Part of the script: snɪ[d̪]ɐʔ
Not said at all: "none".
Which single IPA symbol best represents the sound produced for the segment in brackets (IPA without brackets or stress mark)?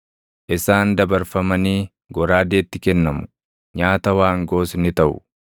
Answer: t̪